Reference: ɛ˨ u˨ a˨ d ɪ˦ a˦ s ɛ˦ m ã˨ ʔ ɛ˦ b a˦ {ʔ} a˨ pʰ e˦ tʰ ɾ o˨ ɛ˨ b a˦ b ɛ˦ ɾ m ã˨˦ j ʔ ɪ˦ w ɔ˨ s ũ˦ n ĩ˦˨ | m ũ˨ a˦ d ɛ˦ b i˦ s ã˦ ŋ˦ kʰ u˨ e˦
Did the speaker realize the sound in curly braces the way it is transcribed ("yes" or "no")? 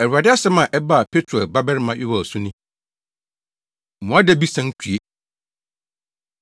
no